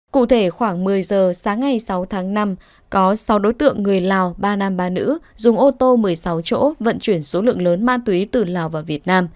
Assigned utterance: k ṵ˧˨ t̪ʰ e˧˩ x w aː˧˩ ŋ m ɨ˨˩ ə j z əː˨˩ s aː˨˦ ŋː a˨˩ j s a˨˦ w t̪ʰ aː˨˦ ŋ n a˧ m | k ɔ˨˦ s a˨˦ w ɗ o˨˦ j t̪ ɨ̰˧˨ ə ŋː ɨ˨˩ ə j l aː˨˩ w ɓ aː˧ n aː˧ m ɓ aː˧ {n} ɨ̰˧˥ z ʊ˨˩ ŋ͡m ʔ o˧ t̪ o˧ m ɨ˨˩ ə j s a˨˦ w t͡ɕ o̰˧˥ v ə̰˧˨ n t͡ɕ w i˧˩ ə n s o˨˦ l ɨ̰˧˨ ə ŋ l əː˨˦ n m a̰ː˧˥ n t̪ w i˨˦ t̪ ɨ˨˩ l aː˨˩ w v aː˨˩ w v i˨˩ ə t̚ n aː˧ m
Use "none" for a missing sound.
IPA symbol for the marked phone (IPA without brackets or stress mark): n